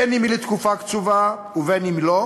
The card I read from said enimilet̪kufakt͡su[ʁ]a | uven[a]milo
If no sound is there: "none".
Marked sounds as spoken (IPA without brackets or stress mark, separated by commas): v, i